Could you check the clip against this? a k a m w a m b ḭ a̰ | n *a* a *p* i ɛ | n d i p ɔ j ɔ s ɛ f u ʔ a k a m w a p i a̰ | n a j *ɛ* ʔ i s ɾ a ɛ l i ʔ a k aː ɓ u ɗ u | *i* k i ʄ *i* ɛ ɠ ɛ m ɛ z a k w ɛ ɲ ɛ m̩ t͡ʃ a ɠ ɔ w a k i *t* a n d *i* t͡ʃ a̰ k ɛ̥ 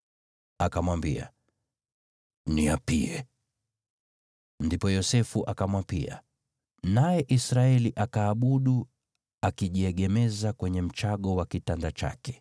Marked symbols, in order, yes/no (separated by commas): no, yes, yes, no, yes, yes, no